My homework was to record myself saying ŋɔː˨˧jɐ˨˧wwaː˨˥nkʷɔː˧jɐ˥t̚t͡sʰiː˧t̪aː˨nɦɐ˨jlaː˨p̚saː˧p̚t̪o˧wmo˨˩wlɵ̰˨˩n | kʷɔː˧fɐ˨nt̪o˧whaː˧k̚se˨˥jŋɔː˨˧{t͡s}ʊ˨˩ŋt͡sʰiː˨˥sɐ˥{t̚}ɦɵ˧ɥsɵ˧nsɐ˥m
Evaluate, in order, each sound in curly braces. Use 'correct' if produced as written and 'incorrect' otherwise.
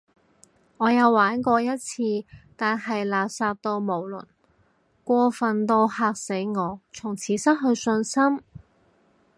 incorrect, correct

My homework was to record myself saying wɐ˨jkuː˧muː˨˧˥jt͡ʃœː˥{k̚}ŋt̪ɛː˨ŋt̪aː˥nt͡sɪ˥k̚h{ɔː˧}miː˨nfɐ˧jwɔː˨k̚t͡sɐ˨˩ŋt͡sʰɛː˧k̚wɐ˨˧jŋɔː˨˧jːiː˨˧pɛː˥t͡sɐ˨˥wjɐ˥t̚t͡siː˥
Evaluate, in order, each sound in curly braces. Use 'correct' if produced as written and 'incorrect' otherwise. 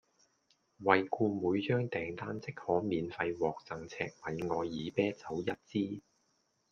incorrect, incorrect

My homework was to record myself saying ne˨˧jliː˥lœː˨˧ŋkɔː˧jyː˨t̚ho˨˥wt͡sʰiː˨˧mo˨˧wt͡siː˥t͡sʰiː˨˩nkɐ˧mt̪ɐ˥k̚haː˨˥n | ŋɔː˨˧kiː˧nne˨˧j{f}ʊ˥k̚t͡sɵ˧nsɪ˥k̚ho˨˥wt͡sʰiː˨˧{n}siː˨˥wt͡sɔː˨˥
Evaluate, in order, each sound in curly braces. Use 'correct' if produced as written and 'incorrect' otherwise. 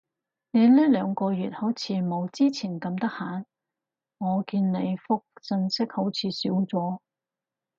correct, incorrect

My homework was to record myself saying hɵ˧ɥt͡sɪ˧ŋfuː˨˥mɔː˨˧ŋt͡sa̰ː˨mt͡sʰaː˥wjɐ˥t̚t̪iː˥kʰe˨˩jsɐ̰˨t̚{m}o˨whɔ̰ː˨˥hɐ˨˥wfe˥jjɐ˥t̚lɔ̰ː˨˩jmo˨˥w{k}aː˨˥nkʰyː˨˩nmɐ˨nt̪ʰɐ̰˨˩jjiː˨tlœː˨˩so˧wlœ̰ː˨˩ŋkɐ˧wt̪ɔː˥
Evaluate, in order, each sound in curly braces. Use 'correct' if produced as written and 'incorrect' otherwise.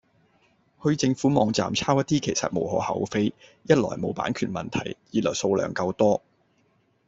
correct, incorrect

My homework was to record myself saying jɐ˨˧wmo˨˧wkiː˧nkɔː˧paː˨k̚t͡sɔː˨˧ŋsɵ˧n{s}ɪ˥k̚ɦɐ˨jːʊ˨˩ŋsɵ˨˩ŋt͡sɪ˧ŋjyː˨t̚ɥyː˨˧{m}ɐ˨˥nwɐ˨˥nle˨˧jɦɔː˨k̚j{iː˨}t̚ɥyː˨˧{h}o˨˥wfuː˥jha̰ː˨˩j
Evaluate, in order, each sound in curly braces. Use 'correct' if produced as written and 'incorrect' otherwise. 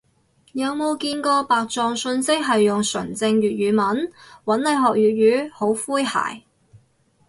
correct, correct, incorrect, correct

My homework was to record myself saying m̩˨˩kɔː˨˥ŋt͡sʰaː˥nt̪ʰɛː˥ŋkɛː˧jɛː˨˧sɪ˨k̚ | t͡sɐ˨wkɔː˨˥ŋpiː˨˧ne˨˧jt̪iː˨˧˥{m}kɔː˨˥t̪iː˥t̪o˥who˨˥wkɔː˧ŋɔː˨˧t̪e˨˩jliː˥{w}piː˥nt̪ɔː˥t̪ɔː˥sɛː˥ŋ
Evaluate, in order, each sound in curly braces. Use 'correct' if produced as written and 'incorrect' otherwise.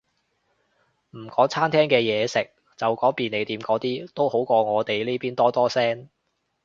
correct, incorrect

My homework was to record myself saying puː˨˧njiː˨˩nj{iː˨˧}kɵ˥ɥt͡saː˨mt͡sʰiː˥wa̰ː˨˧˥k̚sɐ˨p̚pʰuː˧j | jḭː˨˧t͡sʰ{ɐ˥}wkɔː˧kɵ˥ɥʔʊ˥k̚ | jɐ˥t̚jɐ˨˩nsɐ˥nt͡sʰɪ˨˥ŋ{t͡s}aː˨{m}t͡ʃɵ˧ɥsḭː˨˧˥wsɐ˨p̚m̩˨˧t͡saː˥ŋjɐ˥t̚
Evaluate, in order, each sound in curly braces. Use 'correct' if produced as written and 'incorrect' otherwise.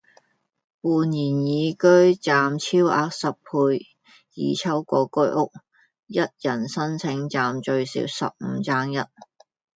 correct, correct, correct, correct

